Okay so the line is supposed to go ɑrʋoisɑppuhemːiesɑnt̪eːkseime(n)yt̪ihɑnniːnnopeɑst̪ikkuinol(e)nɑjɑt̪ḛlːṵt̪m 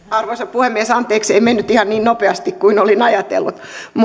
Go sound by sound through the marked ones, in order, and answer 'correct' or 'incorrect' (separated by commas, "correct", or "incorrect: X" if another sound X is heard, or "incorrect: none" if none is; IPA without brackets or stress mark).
incorrect: nː, incorrect: i